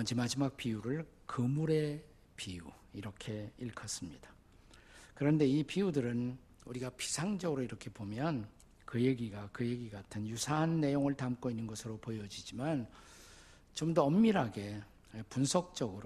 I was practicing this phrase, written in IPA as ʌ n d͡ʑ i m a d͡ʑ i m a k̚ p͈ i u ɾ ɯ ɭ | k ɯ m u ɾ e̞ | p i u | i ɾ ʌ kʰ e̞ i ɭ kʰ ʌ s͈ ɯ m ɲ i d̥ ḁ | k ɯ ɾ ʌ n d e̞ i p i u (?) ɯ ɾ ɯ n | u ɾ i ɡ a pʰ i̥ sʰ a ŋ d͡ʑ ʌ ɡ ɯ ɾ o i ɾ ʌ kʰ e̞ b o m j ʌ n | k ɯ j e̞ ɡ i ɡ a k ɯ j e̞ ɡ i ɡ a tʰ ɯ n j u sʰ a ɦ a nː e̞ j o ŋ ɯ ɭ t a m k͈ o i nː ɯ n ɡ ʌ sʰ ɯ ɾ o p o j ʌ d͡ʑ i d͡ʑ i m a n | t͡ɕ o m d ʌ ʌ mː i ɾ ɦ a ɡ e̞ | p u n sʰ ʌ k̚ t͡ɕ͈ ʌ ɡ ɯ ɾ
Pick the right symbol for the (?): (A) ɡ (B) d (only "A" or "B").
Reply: B